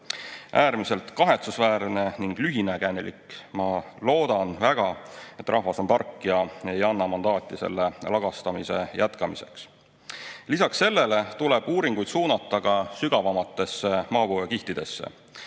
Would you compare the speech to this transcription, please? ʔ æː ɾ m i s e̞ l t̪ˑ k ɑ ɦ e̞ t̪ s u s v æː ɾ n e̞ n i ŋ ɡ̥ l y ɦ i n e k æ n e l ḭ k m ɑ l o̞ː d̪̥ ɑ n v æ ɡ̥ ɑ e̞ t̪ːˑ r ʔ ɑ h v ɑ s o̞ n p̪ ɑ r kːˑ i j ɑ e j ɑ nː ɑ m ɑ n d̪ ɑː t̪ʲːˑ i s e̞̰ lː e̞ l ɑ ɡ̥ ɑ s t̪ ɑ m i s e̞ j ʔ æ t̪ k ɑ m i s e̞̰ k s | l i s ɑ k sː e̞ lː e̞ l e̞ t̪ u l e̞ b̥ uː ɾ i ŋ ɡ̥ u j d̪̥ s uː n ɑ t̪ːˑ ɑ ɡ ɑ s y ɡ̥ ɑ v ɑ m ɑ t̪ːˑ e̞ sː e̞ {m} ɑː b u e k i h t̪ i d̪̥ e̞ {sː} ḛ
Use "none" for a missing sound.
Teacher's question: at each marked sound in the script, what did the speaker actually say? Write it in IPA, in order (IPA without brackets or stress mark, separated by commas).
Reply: m, sː